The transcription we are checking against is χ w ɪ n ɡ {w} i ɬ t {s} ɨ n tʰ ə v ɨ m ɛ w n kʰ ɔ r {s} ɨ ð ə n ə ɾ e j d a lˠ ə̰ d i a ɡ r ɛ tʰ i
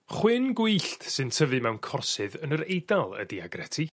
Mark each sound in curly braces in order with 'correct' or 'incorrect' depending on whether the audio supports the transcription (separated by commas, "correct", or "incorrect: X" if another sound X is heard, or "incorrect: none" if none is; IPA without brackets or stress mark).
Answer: correct, correct, correct